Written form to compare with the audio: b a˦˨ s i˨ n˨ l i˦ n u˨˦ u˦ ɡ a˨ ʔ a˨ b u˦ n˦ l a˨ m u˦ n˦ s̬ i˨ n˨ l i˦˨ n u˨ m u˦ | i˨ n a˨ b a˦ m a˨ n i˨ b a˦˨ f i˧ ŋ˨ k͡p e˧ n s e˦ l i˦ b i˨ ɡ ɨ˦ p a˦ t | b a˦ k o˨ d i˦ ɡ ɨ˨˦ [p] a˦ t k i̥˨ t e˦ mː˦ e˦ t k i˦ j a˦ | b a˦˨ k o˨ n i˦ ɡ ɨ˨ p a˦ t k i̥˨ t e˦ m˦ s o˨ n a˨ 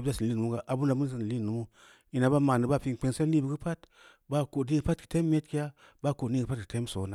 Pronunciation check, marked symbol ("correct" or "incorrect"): correct